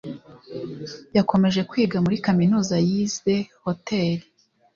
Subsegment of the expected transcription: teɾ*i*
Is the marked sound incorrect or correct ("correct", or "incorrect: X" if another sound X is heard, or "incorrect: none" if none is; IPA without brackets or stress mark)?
correct